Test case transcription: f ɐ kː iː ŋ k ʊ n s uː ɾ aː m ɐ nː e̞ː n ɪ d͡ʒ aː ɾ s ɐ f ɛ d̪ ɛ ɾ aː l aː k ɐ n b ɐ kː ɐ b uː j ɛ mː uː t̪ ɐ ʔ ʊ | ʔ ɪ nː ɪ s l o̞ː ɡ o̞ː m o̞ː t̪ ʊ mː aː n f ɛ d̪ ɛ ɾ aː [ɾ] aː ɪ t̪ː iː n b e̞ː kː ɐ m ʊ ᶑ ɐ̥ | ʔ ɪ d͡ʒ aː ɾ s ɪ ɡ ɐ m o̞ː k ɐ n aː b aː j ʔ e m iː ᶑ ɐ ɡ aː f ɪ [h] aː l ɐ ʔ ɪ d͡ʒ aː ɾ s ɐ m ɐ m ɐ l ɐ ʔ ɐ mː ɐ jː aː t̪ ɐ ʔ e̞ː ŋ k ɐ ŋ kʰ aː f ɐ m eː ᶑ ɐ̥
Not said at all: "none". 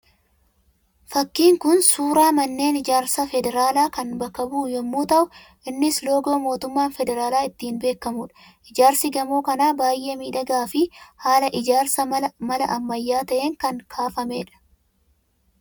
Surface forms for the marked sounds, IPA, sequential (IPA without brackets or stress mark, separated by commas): l, h